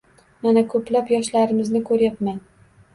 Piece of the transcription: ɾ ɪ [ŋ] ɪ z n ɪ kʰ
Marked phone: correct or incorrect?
incorrect